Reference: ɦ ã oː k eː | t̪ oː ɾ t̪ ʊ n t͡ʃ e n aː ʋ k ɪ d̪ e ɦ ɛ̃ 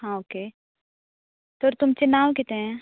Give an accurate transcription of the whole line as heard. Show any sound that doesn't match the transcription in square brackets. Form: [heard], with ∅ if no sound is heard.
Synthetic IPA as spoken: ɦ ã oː k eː | t̪ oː ɾ t̪ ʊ [m] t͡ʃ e n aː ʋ k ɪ [t̪] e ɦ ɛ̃